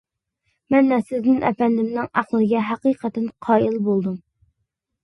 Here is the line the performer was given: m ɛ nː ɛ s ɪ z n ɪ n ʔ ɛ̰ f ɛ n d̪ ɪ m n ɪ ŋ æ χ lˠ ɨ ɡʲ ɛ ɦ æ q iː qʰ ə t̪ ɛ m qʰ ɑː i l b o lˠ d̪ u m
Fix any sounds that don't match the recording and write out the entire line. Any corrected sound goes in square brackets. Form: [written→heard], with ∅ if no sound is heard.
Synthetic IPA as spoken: m ɛ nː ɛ s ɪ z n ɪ n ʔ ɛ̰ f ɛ n d̪ ɪ m n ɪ ŋ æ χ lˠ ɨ ɡʲ ɛ ɦ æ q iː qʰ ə t̪ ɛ [m→n] qʰ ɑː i l b o lˠ d̪ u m

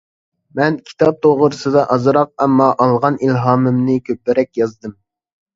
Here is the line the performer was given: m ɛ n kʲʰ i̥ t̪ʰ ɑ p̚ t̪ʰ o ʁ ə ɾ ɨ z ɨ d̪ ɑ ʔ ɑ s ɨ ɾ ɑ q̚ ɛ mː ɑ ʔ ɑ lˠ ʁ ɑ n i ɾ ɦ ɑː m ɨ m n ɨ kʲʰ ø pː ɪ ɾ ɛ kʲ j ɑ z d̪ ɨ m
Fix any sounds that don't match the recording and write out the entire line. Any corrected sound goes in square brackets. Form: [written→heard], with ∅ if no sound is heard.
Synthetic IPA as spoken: m ɛ n kʲʰ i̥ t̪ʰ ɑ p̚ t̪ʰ o ʁ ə ɾ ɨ [z→s] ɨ d̪ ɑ ʔ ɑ [s→z] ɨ ɾ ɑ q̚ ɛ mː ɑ ʔ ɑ lˠ ʁ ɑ n i [ɾ→l] ɦ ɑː m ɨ m n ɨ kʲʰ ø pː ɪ ɾ ɛ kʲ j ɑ z d̪ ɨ m

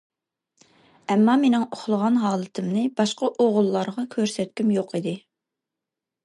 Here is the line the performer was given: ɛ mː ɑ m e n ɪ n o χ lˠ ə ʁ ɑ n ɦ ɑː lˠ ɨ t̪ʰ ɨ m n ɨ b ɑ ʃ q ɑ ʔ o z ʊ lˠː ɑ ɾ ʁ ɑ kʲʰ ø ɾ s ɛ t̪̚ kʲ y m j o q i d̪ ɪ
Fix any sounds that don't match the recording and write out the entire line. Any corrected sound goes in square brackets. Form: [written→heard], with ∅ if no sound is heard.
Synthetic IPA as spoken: ɛ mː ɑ m e n ɪ [n→ŋ] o χ lˠ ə ʁ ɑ n ɦ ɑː lˠ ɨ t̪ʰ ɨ m n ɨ b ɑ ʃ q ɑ ʔ o [z→ʁ] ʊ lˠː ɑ ɾ ʁ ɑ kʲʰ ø ɾ s ɛ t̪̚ kʲ y m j o q i d̪ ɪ

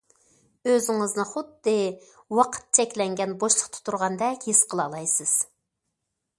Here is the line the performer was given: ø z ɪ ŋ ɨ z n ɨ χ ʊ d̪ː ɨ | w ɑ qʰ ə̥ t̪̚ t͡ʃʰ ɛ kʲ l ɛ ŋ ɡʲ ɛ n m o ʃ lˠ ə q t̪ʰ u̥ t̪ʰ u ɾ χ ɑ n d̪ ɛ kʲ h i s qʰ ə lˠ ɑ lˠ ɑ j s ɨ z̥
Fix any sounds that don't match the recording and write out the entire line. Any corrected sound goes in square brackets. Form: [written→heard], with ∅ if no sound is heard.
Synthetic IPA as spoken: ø z ɪ ŋ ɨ z n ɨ χ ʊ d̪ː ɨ | w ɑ qʰ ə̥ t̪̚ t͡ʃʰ ɛ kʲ l ɛ ŋ ɡʲ ɛ n [m→b] o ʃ lˠ ə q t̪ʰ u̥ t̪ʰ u ɾ [χ→ʁ] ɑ n d̪ ɛ kʲ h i s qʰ ə lˠ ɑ lˠ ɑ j s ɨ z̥

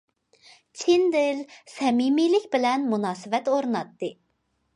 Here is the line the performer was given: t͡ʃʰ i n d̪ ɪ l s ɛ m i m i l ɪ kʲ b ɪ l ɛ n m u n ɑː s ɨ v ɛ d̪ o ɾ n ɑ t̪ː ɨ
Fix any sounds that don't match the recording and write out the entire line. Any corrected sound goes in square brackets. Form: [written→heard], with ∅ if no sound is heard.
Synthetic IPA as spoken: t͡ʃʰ i n d̪ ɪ l s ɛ m i m i l ɪ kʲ b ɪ l ɛ n m u n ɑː s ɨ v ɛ [d̪→t̪] o ɾ n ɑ t̪ː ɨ

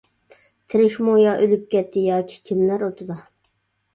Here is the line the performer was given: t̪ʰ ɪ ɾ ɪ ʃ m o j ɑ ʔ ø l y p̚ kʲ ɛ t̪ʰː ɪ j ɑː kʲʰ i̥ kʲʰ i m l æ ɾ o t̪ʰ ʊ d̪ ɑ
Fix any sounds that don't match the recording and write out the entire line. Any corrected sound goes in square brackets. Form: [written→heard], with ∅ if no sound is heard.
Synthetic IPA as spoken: t̪ʰ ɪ ɾ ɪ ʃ m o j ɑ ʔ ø l y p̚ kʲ ɛ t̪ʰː ɪ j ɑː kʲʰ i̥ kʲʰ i m l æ ɾ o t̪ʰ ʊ d̪ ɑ

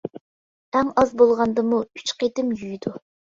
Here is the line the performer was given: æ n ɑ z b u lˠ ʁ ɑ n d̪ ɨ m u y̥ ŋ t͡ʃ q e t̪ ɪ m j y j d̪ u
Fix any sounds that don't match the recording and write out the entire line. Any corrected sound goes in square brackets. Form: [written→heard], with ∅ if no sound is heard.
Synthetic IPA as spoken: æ [n→ŋ] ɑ z b [u→o] lˠ ʁ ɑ n d̪ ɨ m u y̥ [ŋ→∅] t͡ʃ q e t̪ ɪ m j y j d̪ u

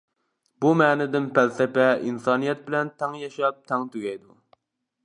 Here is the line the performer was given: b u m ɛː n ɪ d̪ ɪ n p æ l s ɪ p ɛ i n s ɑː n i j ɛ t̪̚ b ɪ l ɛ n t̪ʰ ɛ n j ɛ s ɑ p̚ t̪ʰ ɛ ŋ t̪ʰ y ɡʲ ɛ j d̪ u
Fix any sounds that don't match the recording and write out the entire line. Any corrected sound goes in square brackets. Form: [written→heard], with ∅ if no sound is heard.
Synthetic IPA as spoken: b u m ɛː n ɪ d̪ ɪ n p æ l s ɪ p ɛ i n s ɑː n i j ɛ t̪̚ b ɪ l ɛ n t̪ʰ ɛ [n→ŋ] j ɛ [s→ʃ] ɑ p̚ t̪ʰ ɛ ŋ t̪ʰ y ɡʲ ɛ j d̪ u

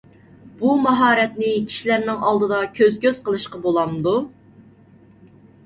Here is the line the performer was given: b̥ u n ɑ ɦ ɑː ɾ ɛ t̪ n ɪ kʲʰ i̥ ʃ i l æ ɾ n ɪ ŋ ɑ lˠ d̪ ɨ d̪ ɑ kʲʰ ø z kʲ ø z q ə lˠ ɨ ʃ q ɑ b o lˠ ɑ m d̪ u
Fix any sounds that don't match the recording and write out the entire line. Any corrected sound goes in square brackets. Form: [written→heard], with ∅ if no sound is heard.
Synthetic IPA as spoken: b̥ u [n→m] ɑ ɦ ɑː ɾ ɛ t̪ n ɪ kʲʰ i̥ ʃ i l æ ɾ n ɪ ŋ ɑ lˠ d̪ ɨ d̪ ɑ kʲʰ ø z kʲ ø z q ə lˠ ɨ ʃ q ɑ b o lˠ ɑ m d̪ u

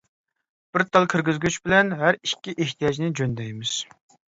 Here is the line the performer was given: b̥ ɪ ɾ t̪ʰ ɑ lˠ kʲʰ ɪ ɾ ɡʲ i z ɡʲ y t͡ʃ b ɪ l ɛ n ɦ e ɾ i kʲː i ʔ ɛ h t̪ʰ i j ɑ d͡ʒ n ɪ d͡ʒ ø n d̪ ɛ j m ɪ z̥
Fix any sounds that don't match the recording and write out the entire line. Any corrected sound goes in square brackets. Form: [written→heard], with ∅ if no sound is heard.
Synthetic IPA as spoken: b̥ ɪ ɾ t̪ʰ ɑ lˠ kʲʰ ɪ ɾ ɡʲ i z ɡʲ y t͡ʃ b ɪ l ɛ n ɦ [e→æ] ɾ i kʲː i ʔ [ɛ→e] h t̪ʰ i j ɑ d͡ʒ n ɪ d͡ʒ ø n d̪ ɛ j m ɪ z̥

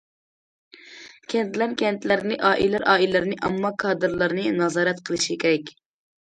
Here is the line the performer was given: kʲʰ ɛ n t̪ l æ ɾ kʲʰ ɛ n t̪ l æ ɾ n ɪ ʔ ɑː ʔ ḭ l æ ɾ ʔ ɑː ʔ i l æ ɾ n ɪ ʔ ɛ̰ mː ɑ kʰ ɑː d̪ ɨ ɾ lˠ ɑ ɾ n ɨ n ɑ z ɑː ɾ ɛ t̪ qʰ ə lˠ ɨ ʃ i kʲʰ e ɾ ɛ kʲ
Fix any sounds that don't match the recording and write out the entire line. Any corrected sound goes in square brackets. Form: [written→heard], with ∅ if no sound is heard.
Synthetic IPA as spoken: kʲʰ ɛ n t̪ l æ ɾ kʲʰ ɛ n t̪ l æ ɾ n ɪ ʔ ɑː ʔ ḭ l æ ɾ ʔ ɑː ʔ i l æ ɾ n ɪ ʔ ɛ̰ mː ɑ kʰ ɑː d̪ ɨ ɾ lˠ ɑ ɾ n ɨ n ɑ z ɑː ɾ ɛ t̪ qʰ ə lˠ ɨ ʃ i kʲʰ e ɾ ɛ kʲ

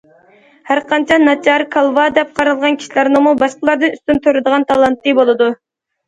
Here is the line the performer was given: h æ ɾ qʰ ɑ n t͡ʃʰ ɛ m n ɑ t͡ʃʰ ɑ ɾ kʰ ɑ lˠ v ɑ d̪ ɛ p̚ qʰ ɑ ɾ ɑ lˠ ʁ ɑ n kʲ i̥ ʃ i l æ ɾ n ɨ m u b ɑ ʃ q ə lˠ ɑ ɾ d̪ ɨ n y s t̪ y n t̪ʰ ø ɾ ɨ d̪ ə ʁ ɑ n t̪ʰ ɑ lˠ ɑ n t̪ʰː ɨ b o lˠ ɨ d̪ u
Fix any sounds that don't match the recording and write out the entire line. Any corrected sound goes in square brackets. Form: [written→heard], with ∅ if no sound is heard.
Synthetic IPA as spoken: h æ ɾ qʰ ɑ n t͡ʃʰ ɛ [m→∅] n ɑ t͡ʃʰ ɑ ɾ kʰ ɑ lˠ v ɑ d̪ ɛ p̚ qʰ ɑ ɾ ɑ lˠ ʁ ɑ n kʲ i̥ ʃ i l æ ɾ n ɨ m u b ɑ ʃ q ə lˠ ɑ ɾ d̪ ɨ n y s t̪ y n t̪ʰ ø ɾ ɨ d̪ ə ʁ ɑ n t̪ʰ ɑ lˠ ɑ n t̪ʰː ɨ b o lˠ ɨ d̪ u

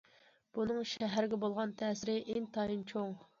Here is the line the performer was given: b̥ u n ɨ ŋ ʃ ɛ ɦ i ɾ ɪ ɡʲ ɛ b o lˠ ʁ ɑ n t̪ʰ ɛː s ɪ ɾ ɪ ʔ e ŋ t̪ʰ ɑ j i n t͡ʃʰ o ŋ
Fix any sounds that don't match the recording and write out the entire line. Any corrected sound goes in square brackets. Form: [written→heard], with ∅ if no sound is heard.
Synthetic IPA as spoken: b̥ u n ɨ ŋ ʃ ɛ ɦ [i→æ] ɾ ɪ ɡʲ ɛ b o lˠ ʁ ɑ n t̪ʰ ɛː s ɪ ɾ ɪ ʔ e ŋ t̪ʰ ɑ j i n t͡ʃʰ o ŋ

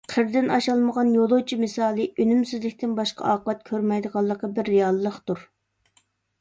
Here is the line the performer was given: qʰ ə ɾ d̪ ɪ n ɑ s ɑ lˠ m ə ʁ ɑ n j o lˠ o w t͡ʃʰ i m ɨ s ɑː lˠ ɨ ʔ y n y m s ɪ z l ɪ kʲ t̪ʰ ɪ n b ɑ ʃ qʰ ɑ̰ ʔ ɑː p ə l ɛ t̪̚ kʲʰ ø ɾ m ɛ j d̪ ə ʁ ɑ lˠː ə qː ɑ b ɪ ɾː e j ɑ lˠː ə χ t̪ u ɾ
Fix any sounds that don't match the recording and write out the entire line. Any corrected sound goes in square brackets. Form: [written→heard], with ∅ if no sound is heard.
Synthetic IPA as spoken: qʰ ə ɾ d̪ ɪ n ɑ [s→ʃ] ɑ lˠ m ə ʁ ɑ n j o lˠ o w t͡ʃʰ i m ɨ s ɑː lˠ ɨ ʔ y n y m s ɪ z l ɪ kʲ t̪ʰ ɪ n b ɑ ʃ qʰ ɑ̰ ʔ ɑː [p→q] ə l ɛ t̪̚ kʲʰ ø ɾ m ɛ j d̪ ə ʁ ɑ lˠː ə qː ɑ b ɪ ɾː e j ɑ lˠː ə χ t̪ u ɾ

